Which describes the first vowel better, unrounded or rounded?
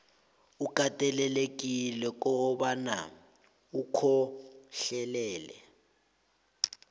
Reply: rounded